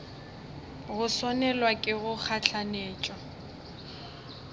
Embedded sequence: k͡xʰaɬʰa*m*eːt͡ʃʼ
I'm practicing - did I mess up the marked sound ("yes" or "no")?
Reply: yes